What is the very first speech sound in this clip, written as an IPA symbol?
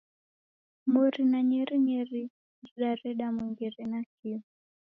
m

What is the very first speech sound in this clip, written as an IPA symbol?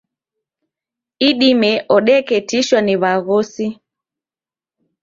i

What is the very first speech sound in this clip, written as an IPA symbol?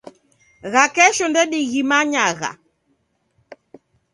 ɣ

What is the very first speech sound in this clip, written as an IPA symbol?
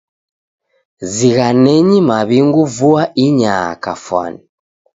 z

